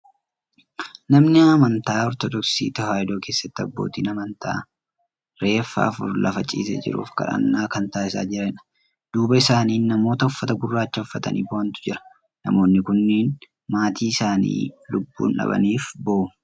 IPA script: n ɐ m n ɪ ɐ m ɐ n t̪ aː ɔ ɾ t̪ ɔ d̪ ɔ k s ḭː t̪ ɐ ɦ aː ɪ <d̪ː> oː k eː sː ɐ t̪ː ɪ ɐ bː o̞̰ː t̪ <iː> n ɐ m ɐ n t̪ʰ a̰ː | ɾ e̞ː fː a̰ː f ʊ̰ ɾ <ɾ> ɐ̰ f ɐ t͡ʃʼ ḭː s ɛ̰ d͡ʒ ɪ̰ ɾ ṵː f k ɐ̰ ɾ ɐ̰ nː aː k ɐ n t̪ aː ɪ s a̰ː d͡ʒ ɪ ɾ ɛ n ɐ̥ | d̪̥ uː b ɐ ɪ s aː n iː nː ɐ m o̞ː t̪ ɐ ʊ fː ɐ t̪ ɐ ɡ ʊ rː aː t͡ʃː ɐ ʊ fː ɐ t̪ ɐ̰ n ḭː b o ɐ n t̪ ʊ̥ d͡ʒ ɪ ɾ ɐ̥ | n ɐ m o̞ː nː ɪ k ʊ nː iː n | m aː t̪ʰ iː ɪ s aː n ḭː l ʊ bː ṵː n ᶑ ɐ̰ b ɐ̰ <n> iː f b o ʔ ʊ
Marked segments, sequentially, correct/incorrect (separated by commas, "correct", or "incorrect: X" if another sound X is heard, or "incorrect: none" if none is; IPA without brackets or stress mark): incorrect: d̪, correct, incorrect: l, correct